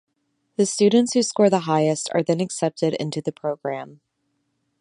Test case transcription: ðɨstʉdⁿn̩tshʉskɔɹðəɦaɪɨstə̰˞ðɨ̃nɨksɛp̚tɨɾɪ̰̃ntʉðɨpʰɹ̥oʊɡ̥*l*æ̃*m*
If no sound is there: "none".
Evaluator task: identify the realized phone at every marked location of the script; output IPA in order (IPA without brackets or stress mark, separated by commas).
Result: ɹ, m